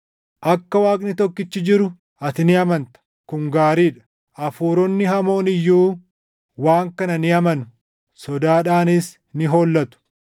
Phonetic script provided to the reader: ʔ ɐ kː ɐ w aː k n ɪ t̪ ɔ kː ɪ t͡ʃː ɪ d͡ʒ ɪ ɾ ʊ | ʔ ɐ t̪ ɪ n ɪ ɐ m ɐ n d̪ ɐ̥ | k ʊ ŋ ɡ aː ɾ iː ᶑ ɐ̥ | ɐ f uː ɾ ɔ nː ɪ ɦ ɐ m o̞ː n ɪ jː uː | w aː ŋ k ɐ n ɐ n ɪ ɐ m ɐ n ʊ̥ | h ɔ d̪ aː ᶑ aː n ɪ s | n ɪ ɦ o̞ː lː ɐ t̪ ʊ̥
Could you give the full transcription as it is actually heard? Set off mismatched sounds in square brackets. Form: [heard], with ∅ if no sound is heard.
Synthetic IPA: ʔ ɐ kː ɐ w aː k n ɪ t̪ ɔ kː ɪ t͡ʃː ɪ d͡ʒ ɪ ɾ ʊ | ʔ ɐ t̪ ɪ n ɪ ɐ m ɐ n [t̪] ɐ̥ | k ʊ ŋ ɡ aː ɾ iː ᶑ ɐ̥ | ɐ f uː ɾ ɔ nː ɪ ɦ ɐ m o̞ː n ɪ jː uː | w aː ŋ k ɐ n ɐ n ɪ ɐ m ɐ n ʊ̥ | [s] ɔ d̪ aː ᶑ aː n ɪ s | n ɪ ɦ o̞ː lː ɐ t̪ ʊ̥

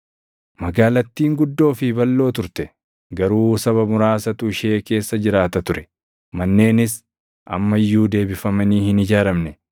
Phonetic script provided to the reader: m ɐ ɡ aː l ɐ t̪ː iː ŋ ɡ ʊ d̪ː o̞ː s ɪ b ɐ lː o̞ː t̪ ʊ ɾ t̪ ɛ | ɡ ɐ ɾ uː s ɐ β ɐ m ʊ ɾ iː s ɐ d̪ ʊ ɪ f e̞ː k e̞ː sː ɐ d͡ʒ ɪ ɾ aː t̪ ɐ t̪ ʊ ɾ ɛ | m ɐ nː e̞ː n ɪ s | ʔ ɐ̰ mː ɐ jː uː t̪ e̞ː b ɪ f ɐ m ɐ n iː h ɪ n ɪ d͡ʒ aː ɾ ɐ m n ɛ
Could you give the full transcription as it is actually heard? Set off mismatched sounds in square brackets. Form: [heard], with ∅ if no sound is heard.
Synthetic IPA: m ɐ ɡ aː l ɐ t̪ː iː ŋ ɡ ʊ d̪ː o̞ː [f] ɪ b ɐ lː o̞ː t̪ ʊ ɾ t̪ ɛ | ɡ ɐ ɾ uː s ɐ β ɐ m ʊ ɾ [aː] s ɐ [t̪] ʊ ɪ [ʃ] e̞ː k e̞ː sː ɐ d͡ʒ ɪ ɾ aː t̪ ɐ t̪ ʊ ɾ ɛ | m ɐ nː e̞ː n ɪ s | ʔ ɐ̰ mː ɐ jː uː [d̪] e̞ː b ɪ f ɐ m ɐ n iː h ɪ n ɪ d͡ʒ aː ɾ ɐ m n ɛ

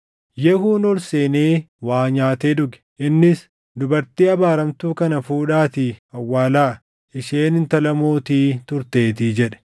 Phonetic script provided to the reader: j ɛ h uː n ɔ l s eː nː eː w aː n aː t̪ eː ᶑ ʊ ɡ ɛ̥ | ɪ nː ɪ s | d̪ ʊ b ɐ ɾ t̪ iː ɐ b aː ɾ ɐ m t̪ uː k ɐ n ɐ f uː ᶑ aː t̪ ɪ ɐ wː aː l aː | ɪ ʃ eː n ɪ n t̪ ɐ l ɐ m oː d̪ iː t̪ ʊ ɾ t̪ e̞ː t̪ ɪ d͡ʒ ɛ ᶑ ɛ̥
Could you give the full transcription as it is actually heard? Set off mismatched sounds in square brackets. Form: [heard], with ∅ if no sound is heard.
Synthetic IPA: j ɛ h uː n ɔ l s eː [n] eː w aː [ɲ] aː t̪ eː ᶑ ʊ ɡ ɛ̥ | ɪ nː ɪ s | d̪ ʊ b ɐ ɾ t̪ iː ɐ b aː ɾ ɐ m t̪ uː k ɐ n ɐ f uː ᶑ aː t̪ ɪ ɐ wː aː l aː | ɪ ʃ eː n ɪ n t̪ ɐ l ɐ m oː [t̪] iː t̪ ʊ ɾ t̪ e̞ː t̪ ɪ d͡ʒ ɛ ᶑ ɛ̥

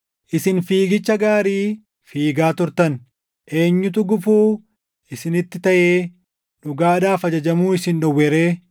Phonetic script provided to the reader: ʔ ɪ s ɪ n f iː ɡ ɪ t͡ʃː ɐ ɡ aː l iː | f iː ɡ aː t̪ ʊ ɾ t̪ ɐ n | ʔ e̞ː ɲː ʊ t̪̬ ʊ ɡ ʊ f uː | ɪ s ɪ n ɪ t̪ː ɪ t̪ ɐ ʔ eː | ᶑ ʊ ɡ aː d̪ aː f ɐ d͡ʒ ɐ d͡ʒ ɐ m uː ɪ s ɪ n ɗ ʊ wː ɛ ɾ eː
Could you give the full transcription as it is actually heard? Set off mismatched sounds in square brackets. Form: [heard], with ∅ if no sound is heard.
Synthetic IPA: ʔ ɪ s ɪ n f iː ɡ ɪ t͡ʃː ɐ ɡ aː [ɾ] iː | f iː ɡ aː t̪ ʊ ɾ t̪ ɐ n | ʔ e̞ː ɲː ʊ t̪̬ ʊ ɡ ʊ f uː | ɪ s ɪ n ɪ t̪ː ɪ t̪ ɐ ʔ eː | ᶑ ʊ ɡ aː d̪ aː f ɐ d͡ʒ ɐ d͡ʒ ɐ m uː ɪ s ɪ n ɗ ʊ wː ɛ ɾ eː

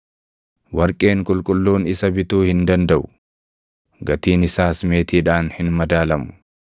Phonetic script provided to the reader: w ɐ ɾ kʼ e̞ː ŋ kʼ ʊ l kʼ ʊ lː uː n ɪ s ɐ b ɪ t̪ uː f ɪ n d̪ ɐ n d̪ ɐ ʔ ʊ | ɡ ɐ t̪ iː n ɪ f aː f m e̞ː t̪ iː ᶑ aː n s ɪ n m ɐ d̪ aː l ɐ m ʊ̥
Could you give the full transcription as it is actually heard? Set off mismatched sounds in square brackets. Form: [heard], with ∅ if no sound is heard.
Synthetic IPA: w ɐ ɾ kʼ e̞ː ŋ kʼ ʊ l kʼ ʊ lː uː n ɪ s ɐ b ɪ t̪ uː [h] ɪ n d̪ ɐ n d̪ ɐ ʔ ʊ | ɡ ɐ t̪ iː n ɪ [s] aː [s] m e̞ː t̪ iː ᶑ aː n [h] ɪ n m ɐ d̪ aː l ɐ m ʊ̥

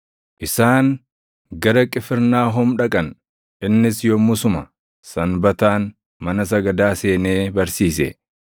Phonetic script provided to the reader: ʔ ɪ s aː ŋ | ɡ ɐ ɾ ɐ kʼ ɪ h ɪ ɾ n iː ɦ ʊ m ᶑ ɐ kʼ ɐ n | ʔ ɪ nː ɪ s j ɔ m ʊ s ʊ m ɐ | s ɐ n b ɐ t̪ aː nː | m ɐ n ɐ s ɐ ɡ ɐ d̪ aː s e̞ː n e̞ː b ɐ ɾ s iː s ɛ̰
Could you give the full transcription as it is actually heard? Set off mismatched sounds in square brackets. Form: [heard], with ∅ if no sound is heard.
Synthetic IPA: ʔ ɪ s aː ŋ | ɡ ɐ ɾ ɐ kʼ ɪ [f] ɪ ɾ n [aː] ɦ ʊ m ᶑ ɐ kʼ ɐ n | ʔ ɪ nː ɪ s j ɔ m ʊ s ʊ m ɐ | s ɐ n b ɐ t̪ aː [n] | m ɐ n ɐ s ɐ ɡ ɐ d̪ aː s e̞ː n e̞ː b ɐ ɾ s iː s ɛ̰

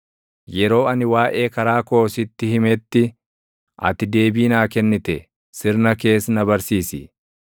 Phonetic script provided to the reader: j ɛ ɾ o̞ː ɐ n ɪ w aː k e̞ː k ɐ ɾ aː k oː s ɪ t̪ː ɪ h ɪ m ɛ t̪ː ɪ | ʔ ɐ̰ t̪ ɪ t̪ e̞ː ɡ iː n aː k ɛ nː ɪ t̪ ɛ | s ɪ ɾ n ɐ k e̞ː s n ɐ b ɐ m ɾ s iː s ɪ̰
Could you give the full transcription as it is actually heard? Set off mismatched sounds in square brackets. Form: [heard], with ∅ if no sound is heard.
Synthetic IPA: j ɛ ɾ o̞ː ɐ n ɪ w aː [ʔ] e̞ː k ɐ ɾ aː k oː s ɪ t̪ː ɪ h ɪ m ɛ t̪ː ɪ | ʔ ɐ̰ t̪ ɪ [d̪] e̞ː [b] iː n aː k ɛ nː ɪ t̪ ɛ | s ɪ ɾ n ɐ k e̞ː s n ɐ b ɐ [∅] ɾ s iː s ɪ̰

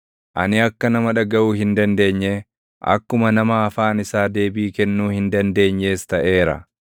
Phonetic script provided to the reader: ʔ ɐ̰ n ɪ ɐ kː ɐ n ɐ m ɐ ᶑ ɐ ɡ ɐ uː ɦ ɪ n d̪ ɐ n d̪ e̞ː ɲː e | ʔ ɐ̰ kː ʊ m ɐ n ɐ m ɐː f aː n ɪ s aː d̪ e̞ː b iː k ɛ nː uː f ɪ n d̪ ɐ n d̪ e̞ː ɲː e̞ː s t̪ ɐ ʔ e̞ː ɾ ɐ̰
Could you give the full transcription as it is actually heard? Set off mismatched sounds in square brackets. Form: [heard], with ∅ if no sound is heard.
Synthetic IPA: ʔ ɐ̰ n ɪ ɐ kː ɐ n ɐ m ɐ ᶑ ɐ ɡ ɐ uː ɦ ɪ n d̪ ɐ n d̪ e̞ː ɲː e | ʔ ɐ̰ kː ʊ m ɐ n ɐ m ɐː f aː n ɪ s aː d̪ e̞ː b iː k ɛ nː uː [h] ɪ n d̪ ɐ n d̪ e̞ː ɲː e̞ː s t̪ ɐ ʔ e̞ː ɾ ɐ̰

